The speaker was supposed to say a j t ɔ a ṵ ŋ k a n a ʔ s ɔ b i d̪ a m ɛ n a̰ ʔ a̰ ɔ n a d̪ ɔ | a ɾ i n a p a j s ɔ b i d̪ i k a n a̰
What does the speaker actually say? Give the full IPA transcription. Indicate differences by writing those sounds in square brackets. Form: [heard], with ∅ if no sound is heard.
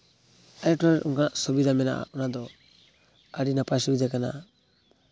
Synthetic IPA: a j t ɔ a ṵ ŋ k a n a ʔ s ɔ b i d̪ a m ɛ n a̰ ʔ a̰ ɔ n a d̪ ɔ | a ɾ i n a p a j s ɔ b i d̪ [a] k a n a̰